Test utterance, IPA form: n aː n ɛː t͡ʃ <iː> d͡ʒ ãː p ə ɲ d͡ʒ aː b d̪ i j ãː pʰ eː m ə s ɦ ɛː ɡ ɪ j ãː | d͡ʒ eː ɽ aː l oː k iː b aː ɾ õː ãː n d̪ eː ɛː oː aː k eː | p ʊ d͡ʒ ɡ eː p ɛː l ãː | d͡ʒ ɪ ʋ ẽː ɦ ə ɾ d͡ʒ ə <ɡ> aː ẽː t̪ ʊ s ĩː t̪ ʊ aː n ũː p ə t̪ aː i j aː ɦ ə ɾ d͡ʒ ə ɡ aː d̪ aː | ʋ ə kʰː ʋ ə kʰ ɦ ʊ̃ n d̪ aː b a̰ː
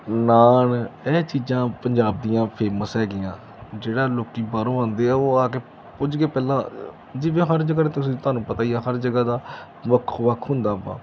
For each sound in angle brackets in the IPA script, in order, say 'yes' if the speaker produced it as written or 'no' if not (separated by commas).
yes, yes